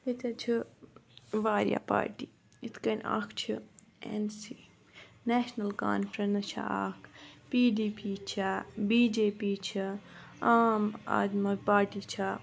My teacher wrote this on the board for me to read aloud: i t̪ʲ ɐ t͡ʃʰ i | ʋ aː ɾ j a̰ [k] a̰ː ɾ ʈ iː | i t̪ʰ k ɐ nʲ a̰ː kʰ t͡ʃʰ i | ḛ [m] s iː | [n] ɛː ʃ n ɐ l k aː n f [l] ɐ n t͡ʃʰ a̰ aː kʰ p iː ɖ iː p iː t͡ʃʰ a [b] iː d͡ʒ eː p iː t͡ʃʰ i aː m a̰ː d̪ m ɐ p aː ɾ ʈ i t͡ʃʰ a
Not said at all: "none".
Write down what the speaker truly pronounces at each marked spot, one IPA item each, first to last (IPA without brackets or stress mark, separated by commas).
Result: p, n, n, ɾ, b